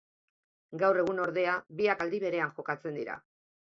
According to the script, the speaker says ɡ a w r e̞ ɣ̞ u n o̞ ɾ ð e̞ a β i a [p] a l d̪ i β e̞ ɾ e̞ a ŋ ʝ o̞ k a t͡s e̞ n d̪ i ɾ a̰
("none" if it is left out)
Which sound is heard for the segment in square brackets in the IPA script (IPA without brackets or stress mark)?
k